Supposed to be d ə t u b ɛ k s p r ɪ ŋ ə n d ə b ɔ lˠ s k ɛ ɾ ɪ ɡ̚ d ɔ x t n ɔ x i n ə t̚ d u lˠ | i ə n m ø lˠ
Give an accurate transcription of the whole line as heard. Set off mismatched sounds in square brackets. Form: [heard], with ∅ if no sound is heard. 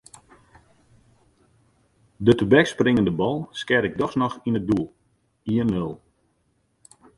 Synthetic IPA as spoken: d ə t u b ɛ k s p r ɪ ŋ ə n d ə b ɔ lˠ s k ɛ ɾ ɪ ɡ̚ d ɔ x [s] n ɔ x i n ə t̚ d u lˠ | i ə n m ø lˠ